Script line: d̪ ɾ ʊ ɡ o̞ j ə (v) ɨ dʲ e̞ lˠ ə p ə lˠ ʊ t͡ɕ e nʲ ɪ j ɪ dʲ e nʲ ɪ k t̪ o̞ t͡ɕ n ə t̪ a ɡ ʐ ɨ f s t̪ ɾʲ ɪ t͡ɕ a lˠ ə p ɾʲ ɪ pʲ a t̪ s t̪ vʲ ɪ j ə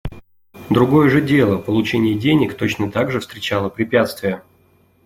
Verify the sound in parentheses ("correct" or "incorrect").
incorrect